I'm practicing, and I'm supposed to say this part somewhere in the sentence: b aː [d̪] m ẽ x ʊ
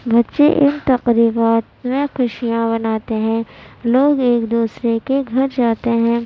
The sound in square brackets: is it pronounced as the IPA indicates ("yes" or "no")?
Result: no